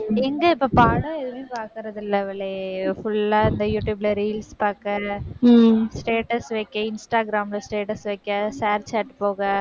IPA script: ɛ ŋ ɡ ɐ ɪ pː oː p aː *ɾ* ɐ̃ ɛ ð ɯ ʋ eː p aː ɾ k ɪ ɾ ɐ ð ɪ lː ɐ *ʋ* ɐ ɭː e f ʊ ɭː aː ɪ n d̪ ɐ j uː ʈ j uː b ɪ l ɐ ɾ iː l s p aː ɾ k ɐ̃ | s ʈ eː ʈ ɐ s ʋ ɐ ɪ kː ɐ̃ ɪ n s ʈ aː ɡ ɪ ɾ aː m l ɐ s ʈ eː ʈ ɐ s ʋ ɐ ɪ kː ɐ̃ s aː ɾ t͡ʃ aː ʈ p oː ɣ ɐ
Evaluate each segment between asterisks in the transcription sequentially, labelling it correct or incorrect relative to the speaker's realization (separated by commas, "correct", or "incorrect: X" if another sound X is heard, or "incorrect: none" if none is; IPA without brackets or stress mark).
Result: incorrect: ɽ, correct